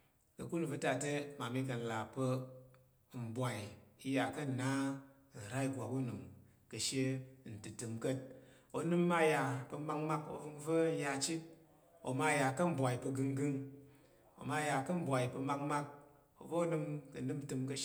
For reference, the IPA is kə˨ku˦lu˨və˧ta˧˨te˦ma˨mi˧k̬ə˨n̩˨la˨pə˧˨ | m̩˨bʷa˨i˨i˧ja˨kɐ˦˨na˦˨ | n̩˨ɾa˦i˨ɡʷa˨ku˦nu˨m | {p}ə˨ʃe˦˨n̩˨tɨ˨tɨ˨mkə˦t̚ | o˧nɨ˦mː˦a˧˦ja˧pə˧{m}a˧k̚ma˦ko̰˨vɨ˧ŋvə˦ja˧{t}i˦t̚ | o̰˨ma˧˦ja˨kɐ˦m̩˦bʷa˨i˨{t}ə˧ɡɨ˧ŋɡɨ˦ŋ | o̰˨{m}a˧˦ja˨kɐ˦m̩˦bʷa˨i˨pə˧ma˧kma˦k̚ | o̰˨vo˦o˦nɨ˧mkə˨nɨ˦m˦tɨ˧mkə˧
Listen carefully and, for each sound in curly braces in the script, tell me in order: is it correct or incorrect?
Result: incorrect: k, correct, incorrect: t͡ʃ, incorrect: p, correct

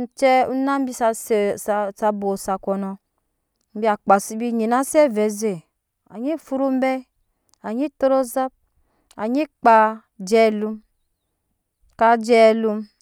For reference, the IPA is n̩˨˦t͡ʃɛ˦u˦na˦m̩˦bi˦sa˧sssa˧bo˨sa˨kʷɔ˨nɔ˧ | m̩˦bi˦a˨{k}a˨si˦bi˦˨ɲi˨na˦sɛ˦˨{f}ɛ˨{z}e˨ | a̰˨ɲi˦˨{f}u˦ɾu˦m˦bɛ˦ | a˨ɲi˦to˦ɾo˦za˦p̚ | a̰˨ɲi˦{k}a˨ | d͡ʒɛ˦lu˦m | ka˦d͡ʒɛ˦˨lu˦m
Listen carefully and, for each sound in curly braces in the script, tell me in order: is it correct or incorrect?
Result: incorrect: k͡p, incorrect: v, correct, correct, incorrect: k͡p

